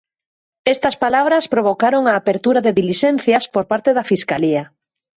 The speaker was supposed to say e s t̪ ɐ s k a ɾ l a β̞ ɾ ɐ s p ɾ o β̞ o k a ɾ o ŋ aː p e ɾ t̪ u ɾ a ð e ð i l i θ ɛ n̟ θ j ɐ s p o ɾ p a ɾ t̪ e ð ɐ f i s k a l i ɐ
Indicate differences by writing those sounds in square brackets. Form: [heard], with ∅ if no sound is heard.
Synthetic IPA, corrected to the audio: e s t̪ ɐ s [p] a [∅] l a β̞ ɾ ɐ s p ɾ o β̞ o k a ɾ o ŋ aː p e ɾ t̪ u ɾ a ð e ð i l i [ʃ] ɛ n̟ θ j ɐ s p o ɾ p a ɾ t̪ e ð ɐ f i s k a l i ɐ